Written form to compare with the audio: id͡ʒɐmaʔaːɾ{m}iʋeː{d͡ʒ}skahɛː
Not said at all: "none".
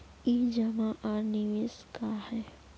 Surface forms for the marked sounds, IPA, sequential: n, none

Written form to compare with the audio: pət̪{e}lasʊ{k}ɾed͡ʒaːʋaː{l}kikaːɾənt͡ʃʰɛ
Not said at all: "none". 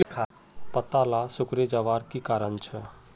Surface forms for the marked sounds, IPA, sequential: a, k, ɾ

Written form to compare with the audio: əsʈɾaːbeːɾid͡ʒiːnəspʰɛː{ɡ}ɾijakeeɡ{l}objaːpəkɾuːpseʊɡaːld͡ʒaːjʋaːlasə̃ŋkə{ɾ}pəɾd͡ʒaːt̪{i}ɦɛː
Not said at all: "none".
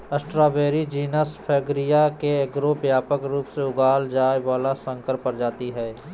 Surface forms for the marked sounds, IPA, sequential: ɡ, ɾ, ɾ, i

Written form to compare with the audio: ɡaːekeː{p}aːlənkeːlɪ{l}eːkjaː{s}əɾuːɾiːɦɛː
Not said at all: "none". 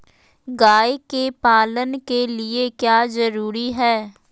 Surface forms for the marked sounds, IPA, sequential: p, none, z

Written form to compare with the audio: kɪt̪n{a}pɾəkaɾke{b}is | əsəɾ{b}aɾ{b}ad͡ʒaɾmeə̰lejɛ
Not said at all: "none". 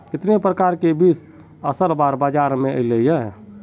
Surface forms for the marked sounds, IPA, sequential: e, b, b, b

